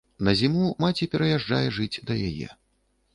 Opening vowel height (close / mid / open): open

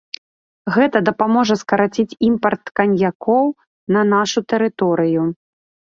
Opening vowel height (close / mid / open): mid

